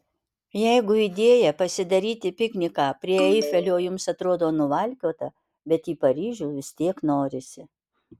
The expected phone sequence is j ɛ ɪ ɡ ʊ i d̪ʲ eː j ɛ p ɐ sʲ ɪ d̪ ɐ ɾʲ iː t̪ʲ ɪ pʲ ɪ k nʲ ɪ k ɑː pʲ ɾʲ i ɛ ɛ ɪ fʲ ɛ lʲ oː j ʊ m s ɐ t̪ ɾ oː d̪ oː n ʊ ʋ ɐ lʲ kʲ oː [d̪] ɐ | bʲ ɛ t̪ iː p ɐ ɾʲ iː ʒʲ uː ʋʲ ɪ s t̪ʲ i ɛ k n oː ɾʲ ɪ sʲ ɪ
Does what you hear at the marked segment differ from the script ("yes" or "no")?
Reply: yes